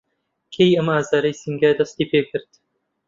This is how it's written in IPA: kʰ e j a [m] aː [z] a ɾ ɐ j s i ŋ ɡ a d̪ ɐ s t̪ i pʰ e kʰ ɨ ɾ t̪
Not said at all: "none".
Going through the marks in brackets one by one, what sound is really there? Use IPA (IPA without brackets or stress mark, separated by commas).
m, z